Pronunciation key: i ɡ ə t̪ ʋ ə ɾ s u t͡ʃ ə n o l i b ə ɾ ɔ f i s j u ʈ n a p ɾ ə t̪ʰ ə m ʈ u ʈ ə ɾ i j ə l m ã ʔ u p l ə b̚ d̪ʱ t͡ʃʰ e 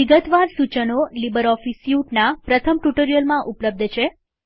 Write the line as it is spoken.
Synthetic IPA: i ɡ ə t̪ ʋ a ɾ s u t͡ʃ ə n o l i b ə ɾ ɔ f i s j u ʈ n a p ɾ ə t̪ʰ ə m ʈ u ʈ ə ɾ i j ə l m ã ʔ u p l ə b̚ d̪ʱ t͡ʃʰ e